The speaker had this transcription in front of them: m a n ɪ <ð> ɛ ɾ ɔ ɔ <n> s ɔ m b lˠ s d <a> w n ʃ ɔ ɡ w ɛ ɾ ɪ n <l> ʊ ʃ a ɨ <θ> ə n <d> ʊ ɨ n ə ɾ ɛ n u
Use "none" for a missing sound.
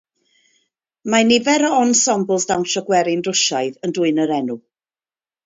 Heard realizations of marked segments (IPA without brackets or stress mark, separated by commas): v, n, a, r, ð, d